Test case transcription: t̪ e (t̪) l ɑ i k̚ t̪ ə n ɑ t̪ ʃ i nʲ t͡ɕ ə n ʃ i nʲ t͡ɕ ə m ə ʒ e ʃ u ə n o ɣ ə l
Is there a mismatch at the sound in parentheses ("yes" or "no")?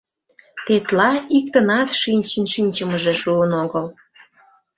no